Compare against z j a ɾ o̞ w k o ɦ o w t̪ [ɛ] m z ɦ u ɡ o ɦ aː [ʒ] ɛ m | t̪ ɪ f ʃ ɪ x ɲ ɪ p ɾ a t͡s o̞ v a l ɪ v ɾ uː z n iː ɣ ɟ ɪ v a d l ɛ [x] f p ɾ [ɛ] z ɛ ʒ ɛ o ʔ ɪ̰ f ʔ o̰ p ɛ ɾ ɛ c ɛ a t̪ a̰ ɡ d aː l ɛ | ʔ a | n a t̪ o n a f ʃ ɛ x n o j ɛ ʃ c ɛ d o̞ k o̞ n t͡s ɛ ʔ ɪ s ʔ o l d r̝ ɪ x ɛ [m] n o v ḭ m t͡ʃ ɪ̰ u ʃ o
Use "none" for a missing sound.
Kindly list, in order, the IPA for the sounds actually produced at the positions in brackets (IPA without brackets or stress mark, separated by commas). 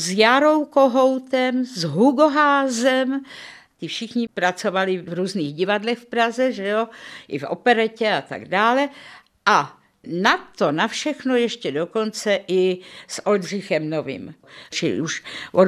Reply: ɛ, z, x, a, m